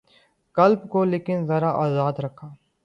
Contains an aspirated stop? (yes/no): yes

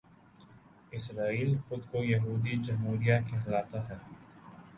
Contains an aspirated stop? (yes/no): no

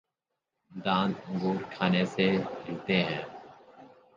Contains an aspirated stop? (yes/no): yes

